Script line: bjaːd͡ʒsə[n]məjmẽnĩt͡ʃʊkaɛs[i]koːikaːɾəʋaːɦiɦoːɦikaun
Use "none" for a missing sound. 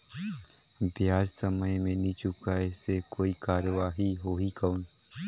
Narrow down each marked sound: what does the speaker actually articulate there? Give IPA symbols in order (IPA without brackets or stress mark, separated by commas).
none, e